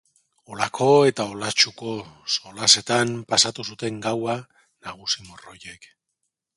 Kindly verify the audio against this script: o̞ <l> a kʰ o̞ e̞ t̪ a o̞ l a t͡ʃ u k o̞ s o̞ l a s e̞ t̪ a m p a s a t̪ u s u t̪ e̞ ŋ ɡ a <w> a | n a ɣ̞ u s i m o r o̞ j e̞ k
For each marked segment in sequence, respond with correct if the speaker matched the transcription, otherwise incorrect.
correct, correct

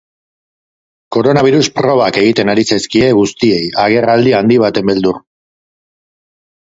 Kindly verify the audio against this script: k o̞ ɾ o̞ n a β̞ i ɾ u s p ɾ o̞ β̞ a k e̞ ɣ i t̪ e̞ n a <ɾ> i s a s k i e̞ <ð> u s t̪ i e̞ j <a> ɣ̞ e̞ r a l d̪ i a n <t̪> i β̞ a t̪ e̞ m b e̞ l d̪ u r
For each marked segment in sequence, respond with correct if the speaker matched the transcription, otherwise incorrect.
correct, incorrect, correct, incorrect

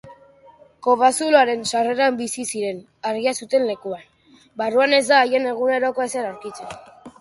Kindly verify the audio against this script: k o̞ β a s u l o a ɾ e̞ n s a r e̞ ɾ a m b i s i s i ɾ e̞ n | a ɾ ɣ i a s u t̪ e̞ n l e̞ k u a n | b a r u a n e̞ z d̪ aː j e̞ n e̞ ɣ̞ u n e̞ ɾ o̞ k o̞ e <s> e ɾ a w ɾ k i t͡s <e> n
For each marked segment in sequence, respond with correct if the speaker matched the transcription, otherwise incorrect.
correct, correct

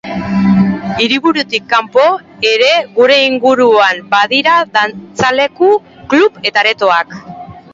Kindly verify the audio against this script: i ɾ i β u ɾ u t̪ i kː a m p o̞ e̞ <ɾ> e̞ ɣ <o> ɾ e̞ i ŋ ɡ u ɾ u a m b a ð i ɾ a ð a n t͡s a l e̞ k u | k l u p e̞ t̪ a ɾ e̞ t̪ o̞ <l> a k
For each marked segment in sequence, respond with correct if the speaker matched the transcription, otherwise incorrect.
correct, incorrect, incorrect

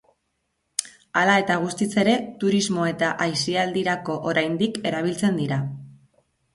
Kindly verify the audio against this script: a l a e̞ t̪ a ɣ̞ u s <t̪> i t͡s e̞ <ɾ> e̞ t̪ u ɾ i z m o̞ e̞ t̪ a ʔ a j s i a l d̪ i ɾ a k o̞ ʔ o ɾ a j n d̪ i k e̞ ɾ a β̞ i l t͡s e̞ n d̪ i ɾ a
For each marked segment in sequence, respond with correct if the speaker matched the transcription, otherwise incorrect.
correct, correct

